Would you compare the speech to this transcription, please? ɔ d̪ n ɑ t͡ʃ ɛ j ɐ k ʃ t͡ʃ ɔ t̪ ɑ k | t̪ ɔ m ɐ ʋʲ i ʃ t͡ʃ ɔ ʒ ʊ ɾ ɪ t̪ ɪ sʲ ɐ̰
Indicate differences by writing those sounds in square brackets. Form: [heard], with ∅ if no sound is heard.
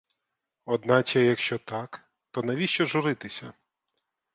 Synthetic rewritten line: ɔ d̪ n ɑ t͡ʃ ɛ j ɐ k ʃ t͡ʃ ɔ t̪ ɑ k | t̪ ɔ [n] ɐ ʋʲ i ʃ t͡ʃ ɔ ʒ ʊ ɾ ɪ t̪ ɪ sʲ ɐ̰

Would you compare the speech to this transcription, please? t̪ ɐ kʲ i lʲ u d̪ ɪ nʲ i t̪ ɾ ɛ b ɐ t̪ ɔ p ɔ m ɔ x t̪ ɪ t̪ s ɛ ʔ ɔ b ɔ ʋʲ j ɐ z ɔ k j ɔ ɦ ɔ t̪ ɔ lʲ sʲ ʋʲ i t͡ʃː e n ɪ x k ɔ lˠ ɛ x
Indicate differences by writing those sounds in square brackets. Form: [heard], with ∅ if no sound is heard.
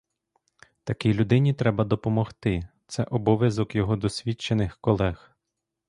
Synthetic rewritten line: t̪ ɐ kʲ i lʲ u d̪ ɪ nʲ i t̪ ɾ ɛ b ɐ [d̪] ɔ p ɔ m ɔ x t̪ ɪ t̪ s ɛ ʔ ɔ b ɔ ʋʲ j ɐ z ɔ k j ɔ ɦ ɔ [d̪] ɔ [∅] sʲ ʋʲ i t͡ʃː e n ɪ x k ɔ lˠ ɛ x

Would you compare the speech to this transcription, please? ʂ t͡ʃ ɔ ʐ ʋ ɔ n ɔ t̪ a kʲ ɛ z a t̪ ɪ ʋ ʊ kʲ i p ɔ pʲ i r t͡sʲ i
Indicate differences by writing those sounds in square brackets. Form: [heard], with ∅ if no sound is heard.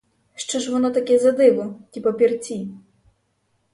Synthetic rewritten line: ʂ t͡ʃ ɔ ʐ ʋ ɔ n ɔ t̪ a kʲ ɛ z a [d̪] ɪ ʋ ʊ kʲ i p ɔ pʲ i r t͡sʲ i

